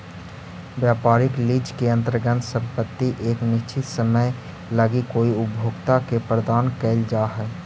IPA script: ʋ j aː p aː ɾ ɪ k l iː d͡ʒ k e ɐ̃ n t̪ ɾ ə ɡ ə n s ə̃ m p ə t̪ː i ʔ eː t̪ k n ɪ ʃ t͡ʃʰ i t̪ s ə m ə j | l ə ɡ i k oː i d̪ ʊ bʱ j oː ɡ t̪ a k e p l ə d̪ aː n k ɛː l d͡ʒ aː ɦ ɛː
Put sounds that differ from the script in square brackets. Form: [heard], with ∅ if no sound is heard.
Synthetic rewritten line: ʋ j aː p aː ɾ ɪ k l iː d͡ʒ k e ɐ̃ n t̪ ɾ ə ɡ ə n s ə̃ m p ə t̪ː i ʔ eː [∅] k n ɪ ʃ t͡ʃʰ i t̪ s ə m ə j | l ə ɡ i k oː i [∅] ʊ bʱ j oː ɡ t̪ a k e p [ɾ] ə d̪ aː n k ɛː l d͡ʒ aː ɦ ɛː